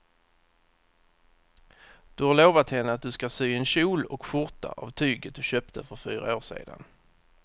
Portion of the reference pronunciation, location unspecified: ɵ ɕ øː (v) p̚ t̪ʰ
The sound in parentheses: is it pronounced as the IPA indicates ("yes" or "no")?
no